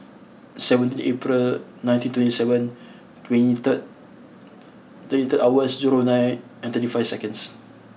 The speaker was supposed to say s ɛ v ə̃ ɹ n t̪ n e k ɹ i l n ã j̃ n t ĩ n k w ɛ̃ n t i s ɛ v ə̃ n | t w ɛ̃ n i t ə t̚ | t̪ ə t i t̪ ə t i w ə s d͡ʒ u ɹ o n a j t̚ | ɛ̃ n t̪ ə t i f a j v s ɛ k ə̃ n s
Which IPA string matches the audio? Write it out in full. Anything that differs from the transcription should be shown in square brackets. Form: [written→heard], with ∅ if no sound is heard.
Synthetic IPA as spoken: s ɛ v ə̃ [ɹ→∅] n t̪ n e [k→p] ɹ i l n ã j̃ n t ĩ n [k→t] w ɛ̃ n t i s ɛ v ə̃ n | t w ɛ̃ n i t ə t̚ | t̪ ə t i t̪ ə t [i→a] w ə s d͡ʒ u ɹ o n a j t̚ | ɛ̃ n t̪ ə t i f a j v s ɛ k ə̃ n s